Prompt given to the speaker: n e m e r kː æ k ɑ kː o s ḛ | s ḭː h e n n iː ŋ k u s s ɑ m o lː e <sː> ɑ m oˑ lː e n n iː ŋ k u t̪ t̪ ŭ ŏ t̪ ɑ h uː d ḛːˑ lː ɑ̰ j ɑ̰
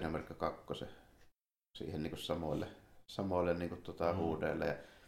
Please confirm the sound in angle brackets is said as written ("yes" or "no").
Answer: no